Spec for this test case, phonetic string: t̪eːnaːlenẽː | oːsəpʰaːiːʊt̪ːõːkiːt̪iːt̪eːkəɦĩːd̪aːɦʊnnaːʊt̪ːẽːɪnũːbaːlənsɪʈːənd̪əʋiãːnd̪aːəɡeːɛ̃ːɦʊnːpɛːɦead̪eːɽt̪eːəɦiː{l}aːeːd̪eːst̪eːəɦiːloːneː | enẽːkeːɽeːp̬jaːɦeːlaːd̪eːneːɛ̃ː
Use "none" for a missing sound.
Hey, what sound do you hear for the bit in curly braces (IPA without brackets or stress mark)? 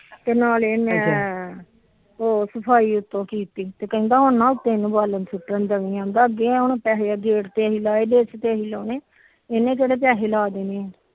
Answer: l